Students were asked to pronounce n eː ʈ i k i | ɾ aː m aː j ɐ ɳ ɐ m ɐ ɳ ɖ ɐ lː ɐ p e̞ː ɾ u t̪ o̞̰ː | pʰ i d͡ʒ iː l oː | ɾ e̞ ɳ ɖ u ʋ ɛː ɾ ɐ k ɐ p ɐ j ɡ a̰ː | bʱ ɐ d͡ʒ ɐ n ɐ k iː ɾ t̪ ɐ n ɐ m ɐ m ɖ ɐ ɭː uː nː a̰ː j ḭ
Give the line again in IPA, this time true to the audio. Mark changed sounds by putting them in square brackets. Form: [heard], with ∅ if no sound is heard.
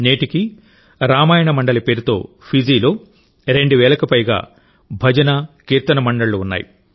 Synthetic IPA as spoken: n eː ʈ i k i | ɾ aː m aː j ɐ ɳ ɐ m ɐ ɳ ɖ ɐ [l] ɐ p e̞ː ɾ u t̪ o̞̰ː | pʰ i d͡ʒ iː l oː | ɾ e̞ ɳ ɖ u ʋ ɛː [l] ɐ k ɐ p ɐ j ɡ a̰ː | bʱ ɐ d͡ʒ ɐ n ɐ k iː ɾ t̪ ɐ n ɐ m ɐ [ɳ] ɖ ɐ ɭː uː nː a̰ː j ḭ

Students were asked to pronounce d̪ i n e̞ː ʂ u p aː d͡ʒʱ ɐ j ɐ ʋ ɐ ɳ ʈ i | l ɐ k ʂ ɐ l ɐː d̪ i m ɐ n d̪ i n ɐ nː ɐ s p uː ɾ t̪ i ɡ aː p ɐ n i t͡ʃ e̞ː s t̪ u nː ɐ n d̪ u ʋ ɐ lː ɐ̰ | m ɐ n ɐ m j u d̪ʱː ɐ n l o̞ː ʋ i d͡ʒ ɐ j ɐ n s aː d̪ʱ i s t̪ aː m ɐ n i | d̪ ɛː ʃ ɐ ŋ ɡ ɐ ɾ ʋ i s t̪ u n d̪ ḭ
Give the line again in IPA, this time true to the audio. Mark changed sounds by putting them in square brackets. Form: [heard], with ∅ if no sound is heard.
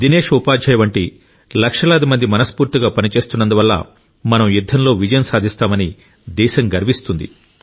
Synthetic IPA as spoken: d̪ i n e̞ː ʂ u p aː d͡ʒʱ ɐ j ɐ ʋ ɐ ɳ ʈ i | l ɐ k ʂ ɐ l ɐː d̪ i m ɐ n d̪ i [m] ɐ [n] ɐ s p uː ɾ t̪ i ɡ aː p ɐ n i t͡ʃ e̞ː s t̪ u nː ɐ n d̪ u ʋ ɐ lː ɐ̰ | m ɐ n ɐ m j u d̪ʱː ɐ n l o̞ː ʋ i d͡ʒ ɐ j ɐ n s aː d̪ʱ i s t̪ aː m ɐ n i | d̪ ɛː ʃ ɐ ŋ ɡ ɐ ɾ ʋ i s t̪ u n d̪ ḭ

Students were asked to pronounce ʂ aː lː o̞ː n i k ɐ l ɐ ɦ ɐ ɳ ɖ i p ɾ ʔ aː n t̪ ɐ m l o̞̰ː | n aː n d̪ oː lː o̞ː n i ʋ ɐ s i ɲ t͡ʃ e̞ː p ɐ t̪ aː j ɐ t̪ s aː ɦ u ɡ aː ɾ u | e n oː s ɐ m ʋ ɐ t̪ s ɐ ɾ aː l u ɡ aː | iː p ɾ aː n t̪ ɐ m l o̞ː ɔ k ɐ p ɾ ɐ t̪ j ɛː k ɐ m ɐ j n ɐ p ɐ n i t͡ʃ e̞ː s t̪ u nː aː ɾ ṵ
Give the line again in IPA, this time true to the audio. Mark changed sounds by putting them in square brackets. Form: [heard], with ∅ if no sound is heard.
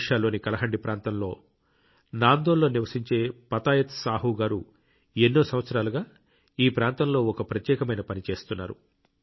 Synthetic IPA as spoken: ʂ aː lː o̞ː n i k ɐ l ɐ ɦ ɐ ɳ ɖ i p ɾ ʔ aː n t̪ ɐ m l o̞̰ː | n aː n d̪ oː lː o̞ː n i ʋ ɐ s i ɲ t͡ʃ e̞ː p ɐ t̪ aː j ɐ t̪ s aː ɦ u ɡ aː ɾ u | e [nː] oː s ɐ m ʋ ɐ t̪ s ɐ ɾ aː l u ɡ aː | iː p ɾ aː n t̪ ɐ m l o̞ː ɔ k ɐ p ɾ ɐ t̪ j ɛː k ɐ m ɐ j n ɐ p ɐ n i t͡ʃ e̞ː s t̪ u nː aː ɾ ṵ

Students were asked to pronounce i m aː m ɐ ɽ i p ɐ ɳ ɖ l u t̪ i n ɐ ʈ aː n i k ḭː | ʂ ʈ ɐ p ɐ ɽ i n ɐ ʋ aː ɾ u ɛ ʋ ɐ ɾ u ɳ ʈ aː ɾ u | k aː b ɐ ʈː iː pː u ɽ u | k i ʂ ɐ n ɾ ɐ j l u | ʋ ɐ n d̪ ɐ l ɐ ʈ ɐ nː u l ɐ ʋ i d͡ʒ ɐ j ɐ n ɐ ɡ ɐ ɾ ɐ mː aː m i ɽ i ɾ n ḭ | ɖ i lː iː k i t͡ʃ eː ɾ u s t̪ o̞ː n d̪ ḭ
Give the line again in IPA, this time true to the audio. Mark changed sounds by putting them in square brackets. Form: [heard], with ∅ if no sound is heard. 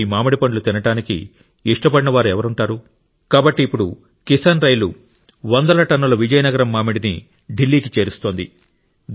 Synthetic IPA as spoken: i m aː m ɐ ɽ i p ɐ ɳ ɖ l u t̪ i n ɐ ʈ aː n i k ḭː | ʂ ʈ ɐ p ɐ ɽ i n ɐ ʋ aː ɾ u ɛ ʋ ɐ ɾ u ɳ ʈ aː ɾ u | k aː b ɐ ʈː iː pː u ɽ u | k i [s] ɐ n ɾ ɐ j l u | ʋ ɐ n d̪ ɐ l ɐ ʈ ɐ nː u l ɐ ʋ i d͡ʒ ɐ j ɐ n ɐ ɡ ɐ ɾ ɐ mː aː m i ɽ i [∅] n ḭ | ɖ i lː iː k i t͡ʃ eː ɾ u s t̪ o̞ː n d̪ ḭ

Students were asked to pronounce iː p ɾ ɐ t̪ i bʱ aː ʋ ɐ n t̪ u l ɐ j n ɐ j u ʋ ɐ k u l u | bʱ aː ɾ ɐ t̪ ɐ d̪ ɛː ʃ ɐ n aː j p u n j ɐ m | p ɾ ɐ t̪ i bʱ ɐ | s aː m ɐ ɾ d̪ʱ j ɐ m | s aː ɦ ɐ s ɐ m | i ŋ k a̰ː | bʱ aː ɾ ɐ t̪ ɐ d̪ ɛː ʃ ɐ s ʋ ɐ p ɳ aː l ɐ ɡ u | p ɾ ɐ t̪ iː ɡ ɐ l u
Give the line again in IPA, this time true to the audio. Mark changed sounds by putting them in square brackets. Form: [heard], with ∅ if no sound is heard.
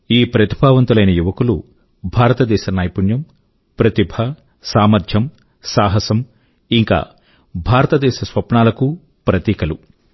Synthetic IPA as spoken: iː p ɾ ɐ t̪ i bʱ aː ʋ ɐ n t̪ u l ɐ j n ɐ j u ʋ ɐ k u l u | bʱ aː ɾ ɐ t̪ ɐ d̪ ɛː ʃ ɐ n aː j p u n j ɐ m | p ɾ ɐ t̪ i bʱ ɐ | s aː m ɐ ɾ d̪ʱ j ɐ m | s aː ɦ ɐ s ɐ m | i ŋ k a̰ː | bʱ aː ɾ ɐ t̪ ɐ d̪ ɛː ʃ ɐ s ʋ ɐ p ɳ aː l ɐ [k] u | p ɾ ɐ t̪ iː [k] ɐ l u

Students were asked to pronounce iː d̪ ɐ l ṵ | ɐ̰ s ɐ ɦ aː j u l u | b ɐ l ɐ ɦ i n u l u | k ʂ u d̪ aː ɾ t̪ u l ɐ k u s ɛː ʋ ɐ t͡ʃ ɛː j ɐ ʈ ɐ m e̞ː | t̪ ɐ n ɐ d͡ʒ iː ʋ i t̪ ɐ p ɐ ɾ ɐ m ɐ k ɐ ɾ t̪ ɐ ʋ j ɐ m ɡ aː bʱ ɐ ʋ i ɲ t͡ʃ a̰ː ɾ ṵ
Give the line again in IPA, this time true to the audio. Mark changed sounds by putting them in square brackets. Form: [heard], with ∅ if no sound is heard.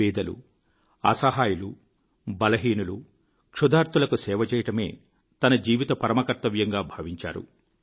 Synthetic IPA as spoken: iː d̪ ɐ l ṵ | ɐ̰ s ɐ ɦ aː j u l u | b ɐ l ɐ ɦ [iː] n u l u | k ʂ u d̪ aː ɾ t̪ u l ɐ k u s ɛː ʋ ɐ t͡ʃ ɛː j ɐ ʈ ɐ m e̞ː | t̪ ɐ n ɐ d͡ʒ iː ʋ i t̪ ɐ p ɐ ɾ ɐ m ɐ k ɐ ɾ t̪ ɐ ʋ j ɐ [ŋ] ɡ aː bʱ ɐ ʋ i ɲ t͡ʃ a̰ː ɾ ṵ

